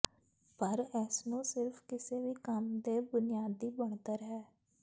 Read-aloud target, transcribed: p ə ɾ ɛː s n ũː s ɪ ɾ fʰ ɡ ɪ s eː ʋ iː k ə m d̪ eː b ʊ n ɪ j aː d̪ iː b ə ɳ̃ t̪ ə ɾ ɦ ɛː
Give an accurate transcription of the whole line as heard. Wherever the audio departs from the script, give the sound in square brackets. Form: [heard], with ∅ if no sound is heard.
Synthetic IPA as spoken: p ə ɾ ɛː s n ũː s ɪ ɾ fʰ [k] ɪ s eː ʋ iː k ə m d̪ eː b ʊ n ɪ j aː d̪ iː b ə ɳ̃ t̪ ə ɾ ɦ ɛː

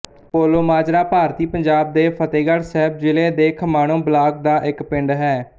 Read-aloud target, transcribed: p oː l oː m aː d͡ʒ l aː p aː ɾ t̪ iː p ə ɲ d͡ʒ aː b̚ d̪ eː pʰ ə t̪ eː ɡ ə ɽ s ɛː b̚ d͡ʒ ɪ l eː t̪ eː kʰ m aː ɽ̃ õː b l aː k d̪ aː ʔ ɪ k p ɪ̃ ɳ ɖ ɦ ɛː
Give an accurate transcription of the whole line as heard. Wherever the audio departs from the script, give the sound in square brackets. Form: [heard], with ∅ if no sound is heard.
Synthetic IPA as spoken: p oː l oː m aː d͡ʒ [ɾ] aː p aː ɾ t̪ iː p ə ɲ d͡ʒ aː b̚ d̪ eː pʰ ə t̪ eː ɡ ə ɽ s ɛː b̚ d͡ʒ ɪ l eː [d̪] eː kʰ m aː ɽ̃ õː b l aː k d̪ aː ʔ ɪ k p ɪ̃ ɳ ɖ ɦ ɛː

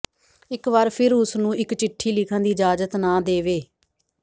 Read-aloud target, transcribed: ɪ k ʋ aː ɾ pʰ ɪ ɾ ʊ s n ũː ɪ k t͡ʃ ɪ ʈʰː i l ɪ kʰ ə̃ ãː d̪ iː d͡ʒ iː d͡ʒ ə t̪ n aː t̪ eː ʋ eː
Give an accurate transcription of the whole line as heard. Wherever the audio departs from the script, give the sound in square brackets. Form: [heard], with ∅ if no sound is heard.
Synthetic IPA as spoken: ɪ k ʋ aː ɾ pʰ ɪ ɾ ʊ s n ũː ɪ k t͡ʃ ɪ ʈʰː [iː] l ɪ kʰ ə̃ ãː d̪ iː d͡ʒ [aː] d͡ʒ ə t̪ n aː [d̪] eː ʋ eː

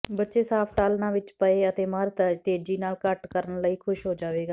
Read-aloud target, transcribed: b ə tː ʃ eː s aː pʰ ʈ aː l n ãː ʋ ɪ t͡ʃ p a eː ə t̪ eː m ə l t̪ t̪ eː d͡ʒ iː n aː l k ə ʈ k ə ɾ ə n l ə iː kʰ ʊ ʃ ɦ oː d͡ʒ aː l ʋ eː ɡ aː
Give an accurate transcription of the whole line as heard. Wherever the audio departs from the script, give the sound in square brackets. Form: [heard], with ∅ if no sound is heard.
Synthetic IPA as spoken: b ə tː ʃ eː s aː pʰ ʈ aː l n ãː ʋ ɪ t͡ʃ p [ə] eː ə t̪ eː m ə [ɾ] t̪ t̪ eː d͡ʒ iː n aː l k ə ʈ k ə ɾ ə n l ə iː kʰ ʊ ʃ ɦ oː d͡ʒ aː [∅] ʋ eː ɡ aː

